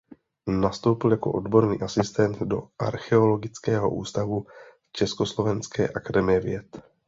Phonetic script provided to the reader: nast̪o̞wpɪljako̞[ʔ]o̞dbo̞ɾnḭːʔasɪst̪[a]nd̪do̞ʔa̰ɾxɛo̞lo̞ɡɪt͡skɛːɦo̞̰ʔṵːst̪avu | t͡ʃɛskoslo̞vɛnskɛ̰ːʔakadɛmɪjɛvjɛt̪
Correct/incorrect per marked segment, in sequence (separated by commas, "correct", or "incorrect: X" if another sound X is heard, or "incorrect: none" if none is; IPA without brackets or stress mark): correct, incorrect: ɛ